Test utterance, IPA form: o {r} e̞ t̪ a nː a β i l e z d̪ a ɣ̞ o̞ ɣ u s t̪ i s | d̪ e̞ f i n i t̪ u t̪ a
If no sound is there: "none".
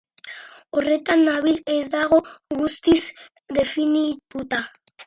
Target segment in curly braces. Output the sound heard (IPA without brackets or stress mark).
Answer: r